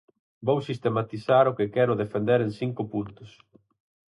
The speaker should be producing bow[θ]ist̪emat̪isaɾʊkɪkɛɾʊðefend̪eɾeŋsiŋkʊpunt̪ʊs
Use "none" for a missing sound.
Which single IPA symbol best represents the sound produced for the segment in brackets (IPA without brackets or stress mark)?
s